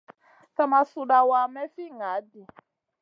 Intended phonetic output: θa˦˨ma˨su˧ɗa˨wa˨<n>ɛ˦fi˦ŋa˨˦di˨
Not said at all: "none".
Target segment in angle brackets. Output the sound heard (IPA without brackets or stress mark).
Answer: m